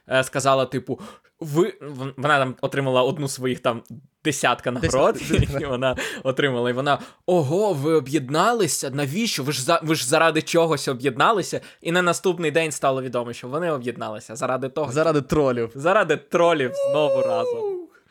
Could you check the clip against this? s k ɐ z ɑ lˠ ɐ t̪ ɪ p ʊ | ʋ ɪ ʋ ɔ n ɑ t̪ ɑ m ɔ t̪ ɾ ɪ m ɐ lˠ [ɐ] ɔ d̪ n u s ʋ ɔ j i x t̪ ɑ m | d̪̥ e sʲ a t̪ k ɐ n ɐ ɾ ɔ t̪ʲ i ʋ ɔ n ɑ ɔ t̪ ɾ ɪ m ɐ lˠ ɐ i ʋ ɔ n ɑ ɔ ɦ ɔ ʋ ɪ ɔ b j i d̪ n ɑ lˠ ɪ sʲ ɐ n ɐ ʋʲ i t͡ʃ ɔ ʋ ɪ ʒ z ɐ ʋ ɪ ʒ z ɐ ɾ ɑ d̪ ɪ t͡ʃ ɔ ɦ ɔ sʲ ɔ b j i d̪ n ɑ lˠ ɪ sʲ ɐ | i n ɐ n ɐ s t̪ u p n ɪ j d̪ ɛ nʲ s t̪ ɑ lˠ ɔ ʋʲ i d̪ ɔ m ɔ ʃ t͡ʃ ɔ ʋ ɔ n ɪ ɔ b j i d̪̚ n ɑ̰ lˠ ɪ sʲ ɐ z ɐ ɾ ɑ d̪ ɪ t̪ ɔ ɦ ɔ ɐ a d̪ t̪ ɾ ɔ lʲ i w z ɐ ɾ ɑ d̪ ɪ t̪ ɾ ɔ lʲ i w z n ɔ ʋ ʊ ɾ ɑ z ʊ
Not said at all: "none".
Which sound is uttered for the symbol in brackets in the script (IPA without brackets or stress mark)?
ɐ